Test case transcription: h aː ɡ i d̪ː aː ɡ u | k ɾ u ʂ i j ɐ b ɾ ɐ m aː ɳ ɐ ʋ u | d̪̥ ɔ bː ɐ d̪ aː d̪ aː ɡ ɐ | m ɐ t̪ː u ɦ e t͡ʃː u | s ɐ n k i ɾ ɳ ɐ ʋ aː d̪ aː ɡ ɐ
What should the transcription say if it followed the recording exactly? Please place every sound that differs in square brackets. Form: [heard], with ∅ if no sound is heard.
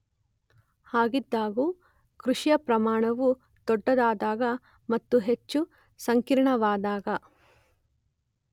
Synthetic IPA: h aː ɡ i d̪ː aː ɡ u | k ɾ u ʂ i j ɐ [p] ɾ ɐ m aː ɳ ɐ ʋ u | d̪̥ ɔ [ɖː] ɐ d̪ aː d̪ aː ɡ ɐ | m ɐ t̪ː u ɦ e t͡ʃː u | s ɐ [ŋ] k i ɾ ɳ ɐ ʋ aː d̪ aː ɡ ɐ